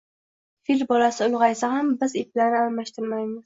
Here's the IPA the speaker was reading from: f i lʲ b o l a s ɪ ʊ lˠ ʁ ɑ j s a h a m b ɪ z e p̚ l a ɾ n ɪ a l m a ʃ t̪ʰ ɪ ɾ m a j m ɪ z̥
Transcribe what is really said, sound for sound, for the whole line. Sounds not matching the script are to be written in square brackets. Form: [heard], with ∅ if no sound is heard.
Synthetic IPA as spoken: f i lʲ b [ɒ] l a s ɪ ʊ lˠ ʁ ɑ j s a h a m b ɪ z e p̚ l a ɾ n ɪ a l m a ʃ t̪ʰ ɪ ɾ m a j m ɪ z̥